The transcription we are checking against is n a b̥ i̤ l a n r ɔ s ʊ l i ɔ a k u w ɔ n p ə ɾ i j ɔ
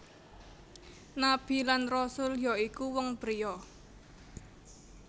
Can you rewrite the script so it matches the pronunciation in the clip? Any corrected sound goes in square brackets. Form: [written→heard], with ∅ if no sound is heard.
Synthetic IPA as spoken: n a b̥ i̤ l a n r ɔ s ʊ l [i→j] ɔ [a→i] k u w ɔ [n→ŋ] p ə ɾ i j ɔ